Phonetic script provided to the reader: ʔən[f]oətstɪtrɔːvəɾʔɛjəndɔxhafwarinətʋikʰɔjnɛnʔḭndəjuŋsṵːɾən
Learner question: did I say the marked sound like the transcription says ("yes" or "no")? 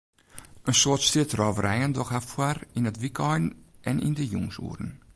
no